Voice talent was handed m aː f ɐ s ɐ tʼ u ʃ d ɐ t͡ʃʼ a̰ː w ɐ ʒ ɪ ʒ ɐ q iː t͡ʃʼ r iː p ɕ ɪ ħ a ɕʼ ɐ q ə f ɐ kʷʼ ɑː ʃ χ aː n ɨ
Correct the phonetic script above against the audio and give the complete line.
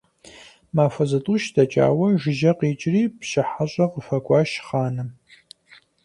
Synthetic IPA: m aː f ɐ z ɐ tʼ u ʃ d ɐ t͡ʃʼ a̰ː w ɐ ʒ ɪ ʒ ɐ q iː t͡ʃʼ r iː p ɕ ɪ ħ a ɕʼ ɐ q ə f ɐ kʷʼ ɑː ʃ χ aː n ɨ